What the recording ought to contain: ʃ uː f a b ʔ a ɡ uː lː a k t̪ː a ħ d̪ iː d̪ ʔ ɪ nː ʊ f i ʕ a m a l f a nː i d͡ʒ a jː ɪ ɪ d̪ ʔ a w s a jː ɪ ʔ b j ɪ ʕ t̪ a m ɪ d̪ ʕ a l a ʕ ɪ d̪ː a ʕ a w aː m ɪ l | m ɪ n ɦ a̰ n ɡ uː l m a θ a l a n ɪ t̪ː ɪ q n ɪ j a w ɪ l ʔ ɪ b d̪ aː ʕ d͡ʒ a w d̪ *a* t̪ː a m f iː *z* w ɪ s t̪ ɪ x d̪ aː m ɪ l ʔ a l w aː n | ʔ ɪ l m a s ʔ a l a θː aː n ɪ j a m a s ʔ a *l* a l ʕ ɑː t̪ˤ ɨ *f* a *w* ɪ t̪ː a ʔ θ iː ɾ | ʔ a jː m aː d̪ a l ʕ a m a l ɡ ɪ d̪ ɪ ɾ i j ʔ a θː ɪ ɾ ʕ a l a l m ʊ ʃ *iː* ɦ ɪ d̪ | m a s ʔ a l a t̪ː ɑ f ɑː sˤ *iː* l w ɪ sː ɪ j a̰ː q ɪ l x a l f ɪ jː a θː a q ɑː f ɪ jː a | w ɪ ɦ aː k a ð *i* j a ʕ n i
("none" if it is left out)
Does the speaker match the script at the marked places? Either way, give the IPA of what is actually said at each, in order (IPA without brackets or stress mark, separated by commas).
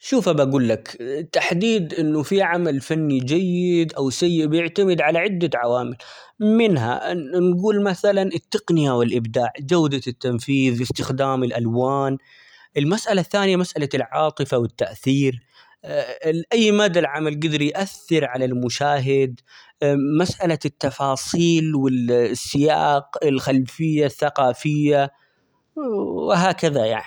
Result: a, ð, l, f, w, aː, iː, a